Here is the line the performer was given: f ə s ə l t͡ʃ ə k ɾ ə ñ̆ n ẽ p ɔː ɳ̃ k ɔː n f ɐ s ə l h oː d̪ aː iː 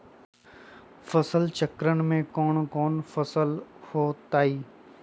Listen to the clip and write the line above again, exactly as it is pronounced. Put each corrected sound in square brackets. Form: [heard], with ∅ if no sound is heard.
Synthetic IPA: f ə s ə l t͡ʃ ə k ɾ ə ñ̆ [m] ẽ [k] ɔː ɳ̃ k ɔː n f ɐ s ə l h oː [t̪] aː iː